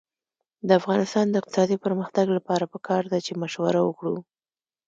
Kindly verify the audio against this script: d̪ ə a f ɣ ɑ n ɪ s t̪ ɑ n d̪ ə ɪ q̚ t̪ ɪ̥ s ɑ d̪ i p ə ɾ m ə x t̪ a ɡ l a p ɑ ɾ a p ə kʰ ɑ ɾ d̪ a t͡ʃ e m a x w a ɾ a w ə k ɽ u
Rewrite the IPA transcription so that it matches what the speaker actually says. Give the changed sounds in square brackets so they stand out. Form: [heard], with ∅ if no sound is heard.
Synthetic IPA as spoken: d̪ ə a f ɣ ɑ n ɪ s t̪ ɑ n d̪ ə ɪ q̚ t̪ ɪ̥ s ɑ d̪ i p ə ɾ m ə x t̪ a ɡ l a p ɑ ɾ a p ə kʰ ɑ ɾ d̪ a t͡ʃ e m a [ʃ] w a ɾ a w ə k ɽ u

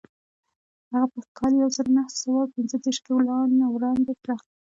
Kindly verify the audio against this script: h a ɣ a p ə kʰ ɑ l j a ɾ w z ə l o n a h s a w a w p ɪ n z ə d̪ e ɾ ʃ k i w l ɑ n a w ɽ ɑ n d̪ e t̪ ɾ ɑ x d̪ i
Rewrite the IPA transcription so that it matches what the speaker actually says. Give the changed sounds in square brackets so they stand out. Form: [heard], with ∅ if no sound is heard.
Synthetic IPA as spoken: h a ɣ a p ə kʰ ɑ l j a [∅] w z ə [ɾ] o n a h s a w a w p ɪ n z ə d̪ e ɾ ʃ k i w l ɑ n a w [ɾ] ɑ n d̪ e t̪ ɾ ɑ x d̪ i

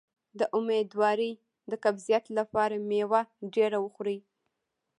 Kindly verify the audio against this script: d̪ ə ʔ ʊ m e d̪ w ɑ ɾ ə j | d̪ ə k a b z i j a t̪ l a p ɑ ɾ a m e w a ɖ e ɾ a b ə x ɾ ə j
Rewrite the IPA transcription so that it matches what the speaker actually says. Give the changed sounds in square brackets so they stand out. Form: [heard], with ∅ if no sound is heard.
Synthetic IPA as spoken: d̪ ə ʔ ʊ m e d̪ w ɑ ɾ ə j | d̪ ə k a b z i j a t̪ l a p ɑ ɾ a m e w a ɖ e ɾ a [w] ə x ɾ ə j

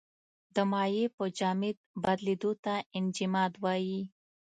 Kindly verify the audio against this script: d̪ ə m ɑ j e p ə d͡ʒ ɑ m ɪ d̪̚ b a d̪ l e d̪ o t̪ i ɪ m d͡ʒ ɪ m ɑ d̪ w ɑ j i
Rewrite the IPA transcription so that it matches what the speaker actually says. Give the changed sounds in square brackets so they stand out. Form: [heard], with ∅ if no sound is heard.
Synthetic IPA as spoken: d̪ ə m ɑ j e p ə d͡ʒ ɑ m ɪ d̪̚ b a d̪ l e d̪ o t̪ [a] ɪ [n] d͡ʒ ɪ m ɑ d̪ w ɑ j i

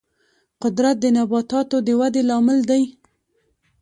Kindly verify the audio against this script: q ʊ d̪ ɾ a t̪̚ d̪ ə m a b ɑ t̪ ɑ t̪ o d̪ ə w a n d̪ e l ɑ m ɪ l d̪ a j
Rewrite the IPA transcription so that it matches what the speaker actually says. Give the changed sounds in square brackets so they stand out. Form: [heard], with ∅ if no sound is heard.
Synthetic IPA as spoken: q ʊ d̪ ɾ a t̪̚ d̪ ə [n] a b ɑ t̪ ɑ t̪ o d̪ ə w a [∅] d̪ e l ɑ m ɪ l d̪ a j

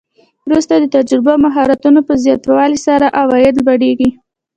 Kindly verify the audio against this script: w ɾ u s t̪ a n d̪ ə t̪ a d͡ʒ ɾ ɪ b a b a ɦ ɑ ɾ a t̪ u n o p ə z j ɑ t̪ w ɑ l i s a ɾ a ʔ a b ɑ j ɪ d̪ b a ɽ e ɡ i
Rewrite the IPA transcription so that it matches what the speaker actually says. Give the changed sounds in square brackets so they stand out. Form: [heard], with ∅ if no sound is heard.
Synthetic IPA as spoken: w ɾ u s t̪ a [∅] d̪ ə t̪ a d͡ʒ ɾ ɪ b a [m] a ɦ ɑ ɾ a t̪ u n o p ə z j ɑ t̪ w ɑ l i s a ɾ a ʔ a [w] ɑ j ɪ d̪ b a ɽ e ɡ i

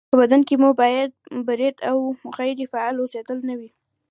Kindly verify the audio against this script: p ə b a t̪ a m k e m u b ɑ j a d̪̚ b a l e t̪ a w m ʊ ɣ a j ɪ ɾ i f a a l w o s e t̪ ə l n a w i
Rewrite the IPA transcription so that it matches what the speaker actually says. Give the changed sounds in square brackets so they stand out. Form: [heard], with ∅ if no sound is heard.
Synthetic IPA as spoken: p ə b a [d̪] a [n] k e m u b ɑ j a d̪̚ b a [ɾ] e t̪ a w m ʊ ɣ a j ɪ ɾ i f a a l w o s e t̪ ə l n a w i

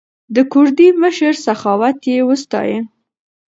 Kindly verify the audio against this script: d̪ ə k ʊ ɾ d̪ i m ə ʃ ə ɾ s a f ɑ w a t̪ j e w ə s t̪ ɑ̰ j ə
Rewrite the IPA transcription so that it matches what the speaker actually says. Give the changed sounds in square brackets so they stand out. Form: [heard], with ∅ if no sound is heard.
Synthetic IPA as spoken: d̪ ə k ʊ ɾ d̪ i m ə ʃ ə ɾ s a [x] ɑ w a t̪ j e w ə s t̪ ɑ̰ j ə

